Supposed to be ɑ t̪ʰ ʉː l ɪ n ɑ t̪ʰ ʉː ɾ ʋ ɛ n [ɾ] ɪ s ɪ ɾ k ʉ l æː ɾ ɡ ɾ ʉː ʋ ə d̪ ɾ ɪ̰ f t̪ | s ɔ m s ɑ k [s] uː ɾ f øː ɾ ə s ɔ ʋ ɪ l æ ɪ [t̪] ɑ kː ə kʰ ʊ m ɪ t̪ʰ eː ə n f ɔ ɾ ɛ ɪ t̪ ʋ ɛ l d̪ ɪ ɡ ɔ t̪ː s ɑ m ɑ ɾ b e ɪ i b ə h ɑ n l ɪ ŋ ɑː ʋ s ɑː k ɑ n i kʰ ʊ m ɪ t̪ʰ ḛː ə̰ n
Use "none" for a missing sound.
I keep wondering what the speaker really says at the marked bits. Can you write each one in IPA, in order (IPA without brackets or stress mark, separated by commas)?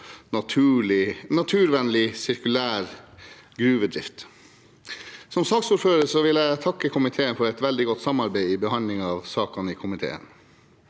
l, s, t̪ʰ